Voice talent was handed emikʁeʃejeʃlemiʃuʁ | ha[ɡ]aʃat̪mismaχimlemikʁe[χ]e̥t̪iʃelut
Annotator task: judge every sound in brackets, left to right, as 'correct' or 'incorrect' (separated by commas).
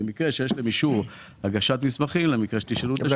correct, incorrect